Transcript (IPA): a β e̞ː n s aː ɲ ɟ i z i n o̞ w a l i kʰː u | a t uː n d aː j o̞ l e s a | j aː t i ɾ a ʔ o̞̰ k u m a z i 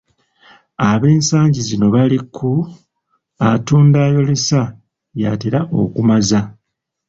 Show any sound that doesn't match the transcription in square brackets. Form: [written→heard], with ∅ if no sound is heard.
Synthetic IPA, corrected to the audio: a β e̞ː n s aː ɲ ɟ i z i n o̞ [w→β] a l i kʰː u | a t uː n d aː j o̞ l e s a | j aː t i ɾ a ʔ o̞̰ k u m a z [i→a]